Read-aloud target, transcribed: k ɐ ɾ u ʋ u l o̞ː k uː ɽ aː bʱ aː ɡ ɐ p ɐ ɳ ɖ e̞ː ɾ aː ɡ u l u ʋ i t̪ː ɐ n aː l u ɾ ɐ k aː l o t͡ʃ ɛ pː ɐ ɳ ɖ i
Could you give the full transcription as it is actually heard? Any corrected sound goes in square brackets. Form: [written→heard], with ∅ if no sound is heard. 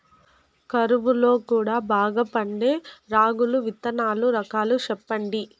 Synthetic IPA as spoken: k ɐ ɾ u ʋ u l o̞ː k uː ɽ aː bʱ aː ɡ ɐ p ɐ ɳ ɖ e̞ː ɾ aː ɡ u l u ʋ i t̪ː ɐ n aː l u ɾ ɐ k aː l [o→u] t͡ʃ ɛ pː ɐ ɳ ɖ i